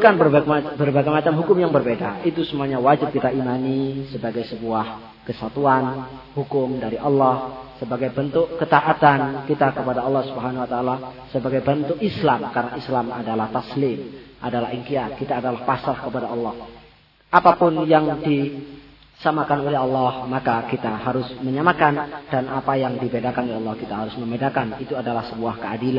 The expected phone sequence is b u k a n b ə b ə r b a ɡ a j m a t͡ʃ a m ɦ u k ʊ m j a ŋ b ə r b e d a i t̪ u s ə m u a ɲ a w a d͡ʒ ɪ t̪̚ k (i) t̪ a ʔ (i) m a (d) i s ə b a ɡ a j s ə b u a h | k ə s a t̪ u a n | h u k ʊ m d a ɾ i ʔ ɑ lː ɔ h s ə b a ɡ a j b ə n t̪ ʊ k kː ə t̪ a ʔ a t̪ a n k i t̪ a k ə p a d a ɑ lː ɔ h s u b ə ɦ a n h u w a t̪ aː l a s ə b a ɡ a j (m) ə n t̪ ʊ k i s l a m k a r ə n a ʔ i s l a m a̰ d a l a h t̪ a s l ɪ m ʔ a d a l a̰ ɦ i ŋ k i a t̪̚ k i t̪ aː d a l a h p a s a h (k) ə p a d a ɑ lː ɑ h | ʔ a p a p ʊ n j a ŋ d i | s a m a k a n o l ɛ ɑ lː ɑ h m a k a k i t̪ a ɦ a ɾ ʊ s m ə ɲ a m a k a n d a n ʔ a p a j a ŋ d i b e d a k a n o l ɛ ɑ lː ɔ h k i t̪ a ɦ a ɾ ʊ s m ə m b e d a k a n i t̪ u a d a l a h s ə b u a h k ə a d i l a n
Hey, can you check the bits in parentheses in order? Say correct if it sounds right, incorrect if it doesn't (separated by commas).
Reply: correct, correct, incorrect, incorrect, correct